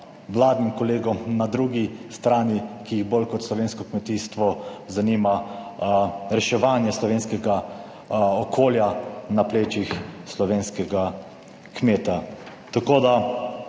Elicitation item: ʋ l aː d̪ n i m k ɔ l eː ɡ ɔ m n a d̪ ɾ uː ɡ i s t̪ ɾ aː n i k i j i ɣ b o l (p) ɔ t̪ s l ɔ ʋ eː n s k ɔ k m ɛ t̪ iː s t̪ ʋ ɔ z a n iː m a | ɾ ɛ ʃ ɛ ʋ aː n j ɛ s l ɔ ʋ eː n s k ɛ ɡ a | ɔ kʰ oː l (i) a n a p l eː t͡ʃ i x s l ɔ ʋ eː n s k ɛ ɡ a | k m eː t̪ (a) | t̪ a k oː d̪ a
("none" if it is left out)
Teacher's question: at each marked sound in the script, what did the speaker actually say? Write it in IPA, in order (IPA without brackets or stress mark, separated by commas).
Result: k, j, a